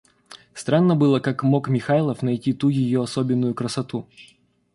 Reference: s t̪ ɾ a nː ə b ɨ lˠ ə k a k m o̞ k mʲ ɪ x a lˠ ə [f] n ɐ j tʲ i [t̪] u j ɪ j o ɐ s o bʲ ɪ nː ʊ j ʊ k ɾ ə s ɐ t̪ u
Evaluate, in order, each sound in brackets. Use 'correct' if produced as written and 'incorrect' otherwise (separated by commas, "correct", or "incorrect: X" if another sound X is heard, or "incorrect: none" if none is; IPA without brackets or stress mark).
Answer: correct, correct